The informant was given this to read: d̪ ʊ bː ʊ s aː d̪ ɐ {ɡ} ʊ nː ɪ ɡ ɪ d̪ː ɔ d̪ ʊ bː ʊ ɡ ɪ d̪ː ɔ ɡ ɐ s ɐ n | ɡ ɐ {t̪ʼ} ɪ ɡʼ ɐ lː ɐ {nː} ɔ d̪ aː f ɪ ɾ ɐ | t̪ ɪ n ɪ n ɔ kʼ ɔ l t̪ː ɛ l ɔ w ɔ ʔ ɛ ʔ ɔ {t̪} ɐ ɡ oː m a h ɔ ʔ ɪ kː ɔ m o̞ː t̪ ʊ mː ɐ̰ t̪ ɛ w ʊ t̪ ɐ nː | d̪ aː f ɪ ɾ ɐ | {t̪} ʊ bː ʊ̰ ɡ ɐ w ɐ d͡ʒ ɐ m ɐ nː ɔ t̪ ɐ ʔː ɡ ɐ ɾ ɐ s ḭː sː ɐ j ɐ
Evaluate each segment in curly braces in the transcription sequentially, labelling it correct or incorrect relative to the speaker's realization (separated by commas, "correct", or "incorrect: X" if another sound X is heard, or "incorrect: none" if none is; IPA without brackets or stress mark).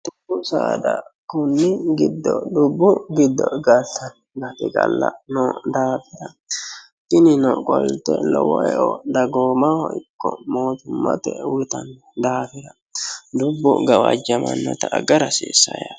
incorrect: k, incorrect: t̪, incorrect: n, incorrect: d̪, incorrect: d̪